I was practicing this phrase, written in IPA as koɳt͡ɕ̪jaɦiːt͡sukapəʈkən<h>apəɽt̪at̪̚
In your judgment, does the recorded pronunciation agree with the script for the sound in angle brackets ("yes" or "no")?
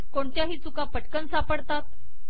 no